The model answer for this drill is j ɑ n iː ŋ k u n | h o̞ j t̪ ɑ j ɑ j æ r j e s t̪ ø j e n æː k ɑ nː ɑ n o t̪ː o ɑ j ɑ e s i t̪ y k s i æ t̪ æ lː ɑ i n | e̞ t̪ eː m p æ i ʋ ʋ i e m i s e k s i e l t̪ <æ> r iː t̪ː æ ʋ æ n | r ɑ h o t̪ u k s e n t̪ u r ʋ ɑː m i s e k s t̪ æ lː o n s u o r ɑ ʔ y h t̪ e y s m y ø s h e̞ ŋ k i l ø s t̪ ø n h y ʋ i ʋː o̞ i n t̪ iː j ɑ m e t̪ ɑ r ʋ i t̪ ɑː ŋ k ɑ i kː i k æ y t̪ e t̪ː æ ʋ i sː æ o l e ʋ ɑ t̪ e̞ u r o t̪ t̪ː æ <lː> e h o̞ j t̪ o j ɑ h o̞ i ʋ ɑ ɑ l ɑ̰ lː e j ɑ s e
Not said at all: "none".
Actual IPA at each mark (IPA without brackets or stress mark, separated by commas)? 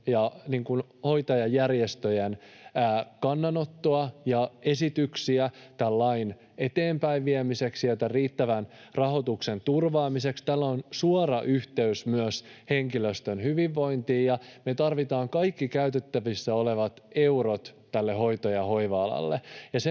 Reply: æ, lː